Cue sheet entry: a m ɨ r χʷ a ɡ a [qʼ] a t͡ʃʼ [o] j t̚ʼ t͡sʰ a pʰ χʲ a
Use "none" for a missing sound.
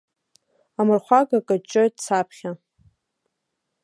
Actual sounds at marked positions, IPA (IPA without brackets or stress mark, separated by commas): kʼ, o